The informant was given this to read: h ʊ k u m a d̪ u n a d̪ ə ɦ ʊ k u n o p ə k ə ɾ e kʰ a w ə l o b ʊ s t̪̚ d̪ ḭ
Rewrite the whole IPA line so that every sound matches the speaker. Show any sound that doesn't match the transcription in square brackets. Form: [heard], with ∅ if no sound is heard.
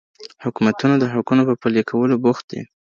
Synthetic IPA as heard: h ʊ k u m a [t̪] u n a d̪ ə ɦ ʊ k u n o p ə [p] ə [l] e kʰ a w ə l o b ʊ [x] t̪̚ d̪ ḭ